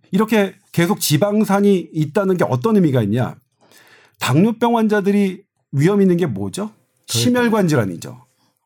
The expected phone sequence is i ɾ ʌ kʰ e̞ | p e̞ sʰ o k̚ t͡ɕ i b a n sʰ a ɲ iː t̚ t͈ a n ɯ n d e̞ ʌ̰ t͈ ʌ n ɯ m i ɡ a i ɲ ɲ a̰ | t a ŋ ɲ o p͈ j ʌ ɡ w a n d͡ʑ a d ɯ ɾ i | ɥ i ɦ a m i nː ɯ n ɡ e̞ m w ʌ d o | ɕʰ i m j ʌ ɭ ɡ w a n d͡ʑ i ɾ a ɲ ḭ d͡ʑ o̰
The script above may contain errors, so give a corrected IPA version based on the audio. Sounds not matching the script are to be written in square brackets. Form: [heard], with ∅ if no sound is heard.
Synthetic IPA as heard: i ɾ ʌ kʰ e̞ | [k] e̞ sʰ o k̚ t͡ɕ i b a [ŋ] sʰ a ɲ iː t̚ t͈ a n ɯ n [ɡ] e̞ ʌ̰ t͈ ʌ n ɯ m i ɡ a i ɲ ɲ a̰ | t a ŋ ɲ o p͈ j ʌ [ŋ] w a n d͡ʑ a d ɯ ɾ i | ɥ i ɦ [ʌ] m i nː ɯ n ɡ e̞ m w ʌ [d͡ʑ] o | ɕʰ i m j ʌ ɭ ɡ w a n d͡ʑ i ɾ a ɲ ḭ d͡ʑ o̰